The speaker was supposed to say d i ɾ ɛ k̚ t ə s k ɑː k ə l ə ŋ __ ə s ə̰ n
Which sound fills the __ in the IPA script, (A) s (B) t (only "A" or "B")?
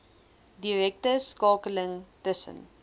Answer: B